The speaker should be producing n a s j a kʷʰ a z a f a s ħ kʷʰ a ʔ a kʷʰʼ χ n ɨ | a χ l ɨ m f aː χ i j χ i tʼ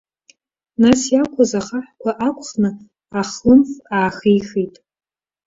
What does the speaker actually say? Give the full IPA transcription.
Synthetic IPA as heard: n a s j a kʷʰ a z a χ a ħ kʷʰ a ʔ a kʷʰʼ χ n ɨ | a χ l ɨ m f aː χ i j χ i tʼ